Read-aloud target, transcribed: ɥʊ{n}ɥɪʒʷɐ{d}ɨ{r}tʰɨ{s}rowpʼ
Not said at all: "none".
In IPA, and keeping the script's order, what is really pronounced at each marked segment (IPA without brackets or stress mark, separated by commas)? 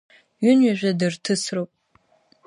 n, d, r, s